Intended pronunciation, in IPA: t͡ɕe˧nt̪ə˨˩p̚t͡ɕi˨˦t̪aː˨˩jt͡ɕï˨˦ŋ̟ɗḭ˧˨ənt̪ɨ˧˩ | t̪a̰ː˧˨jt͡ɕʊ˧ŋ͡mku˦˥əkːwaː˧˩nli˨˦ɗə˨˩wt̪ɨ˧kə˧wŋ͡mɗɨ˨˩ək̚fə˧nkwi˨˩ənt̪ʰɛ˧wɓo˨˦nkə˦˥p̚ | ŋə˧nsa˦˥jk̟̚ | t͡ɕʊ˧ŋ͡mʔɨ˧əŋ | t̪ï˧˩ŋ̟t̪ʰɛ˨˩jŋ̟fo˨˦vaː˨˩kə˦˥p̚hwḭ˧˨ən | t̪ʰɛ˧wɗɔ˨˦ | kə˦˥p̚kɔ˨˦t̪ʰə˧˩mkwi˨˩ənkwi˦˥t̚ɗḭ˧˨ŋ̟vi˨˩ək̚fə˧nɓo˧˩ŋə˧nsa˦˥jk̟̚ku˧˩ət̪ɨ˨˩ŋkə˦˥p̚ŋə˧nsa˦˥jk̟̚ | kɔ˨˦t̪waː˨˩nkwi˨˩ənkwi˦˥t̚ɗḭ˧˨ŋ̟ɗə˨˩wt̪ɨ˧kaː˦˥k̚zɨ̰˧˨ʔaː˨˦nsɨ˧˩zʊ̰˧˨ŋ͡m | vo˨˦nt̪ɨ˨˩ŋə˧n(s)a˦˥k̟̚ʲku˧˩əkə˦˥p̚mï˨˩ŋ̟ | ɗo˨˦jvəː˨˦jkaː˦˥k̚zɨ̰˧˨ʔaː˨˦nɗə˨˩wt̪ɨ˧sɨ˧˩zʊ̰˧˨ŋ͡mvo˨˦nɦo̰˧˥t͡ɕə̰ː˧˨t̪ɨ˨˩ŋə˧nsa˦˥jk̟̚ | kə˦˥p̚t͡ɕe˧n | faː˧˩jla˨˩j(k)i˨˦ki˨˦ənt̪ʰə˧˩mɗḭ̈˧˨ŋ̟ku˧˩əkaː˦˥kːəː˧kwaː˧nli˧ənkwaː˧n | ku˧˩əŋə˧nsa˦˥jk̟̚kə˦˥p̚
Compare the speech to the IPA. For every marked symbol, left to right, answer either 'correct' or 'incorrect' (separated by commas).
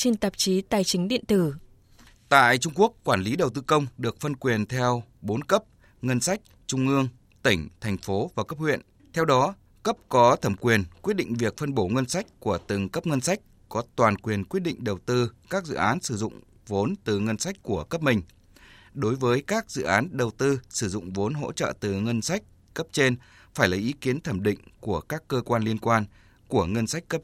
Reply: correct, incorrect